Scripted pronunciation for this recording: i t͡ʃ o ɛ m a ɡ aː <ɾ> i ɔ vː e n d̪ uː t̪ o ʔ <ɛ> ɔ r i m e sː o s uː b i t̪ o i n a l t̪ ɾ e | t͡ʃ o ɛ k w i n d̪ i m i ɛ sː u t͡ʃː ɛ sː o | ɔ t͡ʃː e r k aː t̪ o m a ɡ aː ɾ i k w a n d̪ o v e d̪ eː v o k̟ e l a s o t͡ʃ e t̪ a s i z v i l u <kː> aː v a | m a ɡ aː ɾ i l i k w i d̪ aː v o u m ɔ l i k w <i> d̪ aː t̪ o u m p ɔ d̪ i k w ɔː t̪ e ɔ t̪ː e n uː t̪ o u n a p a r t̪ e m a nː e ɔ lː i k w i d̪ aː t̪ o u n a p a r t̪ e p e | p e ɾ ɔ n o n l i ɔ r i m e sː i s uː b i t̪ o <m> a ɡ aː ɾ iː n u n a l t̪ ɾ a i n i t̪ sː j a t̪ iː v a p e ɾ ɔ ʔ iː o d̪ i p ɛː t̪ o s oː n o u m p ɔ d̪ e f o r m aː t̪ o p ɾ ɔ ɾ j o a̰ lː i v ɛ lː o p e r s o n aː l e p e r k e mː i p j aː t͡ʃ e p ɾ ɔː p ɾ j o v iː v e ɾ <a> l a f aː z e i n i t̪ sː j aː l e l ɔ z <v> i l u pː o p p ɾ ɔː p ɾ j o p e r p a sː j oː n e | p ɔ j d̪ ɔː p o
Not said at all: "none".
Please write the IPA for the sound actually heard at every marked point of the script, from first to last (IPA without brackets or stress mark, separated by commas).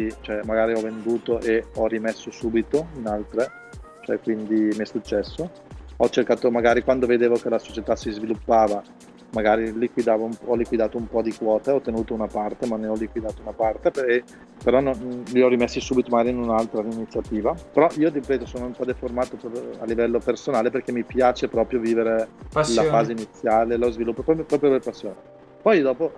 ɾ, e, pː, i, m, e, v